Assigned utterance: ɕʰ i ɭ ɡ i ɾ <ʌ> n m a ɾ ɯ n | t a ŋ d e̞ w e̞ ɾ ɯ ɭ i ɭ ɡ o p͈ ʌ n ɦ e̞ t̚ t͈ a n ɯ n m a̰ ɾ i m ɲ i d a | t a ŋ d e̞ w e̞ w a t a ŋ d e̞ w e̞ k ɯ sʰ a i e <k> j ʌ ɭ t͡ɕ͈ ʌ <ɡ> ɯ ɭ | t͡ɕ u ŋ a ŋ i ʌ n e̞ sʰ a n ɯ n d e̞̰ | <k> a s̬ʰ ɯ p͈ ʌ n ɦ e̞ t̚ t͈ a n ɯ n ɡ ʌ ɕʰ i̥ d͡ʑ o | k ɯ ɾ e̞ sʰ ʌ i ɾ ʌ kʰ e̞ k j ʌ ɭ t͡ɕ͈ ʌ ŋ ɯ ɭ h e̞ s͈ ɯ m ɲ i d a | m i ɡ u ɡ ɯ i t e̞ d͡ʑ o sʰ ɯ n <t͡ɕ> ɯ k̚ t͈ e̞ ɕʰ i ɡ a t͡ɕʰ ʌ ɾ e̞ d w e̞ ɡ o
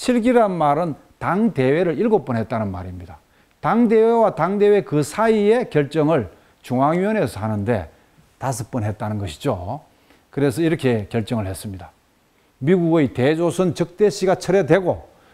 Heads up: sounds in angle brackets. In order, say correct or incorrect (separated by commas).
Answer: incorrect, correct, incorrect, incorrect, correct